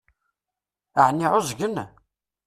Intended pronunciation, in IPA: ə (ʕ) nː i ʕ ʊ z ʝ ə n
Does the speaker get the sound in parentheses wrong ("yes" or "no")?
no